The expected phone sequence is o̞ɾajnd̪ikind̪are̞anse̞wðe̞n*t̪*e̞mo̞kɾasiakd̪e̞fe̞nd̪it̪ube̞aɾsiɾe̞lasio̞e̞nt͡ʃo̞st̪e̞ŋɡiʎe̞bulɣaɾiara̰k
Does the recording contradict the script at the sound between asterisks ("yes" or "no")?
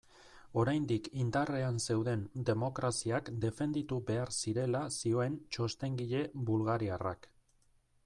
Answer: yes